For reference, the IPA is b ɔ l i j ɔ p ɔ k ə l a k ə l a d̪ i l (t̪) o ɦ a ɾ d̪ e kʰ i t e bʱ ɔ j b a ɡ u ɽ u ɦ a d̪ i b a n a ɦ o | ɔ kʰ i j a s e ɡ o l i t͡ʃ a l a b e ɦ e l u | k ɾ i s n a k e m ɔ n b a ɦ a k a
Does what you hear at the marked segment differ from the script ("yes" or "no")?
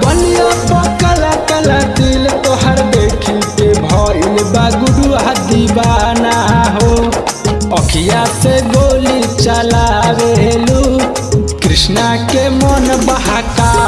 no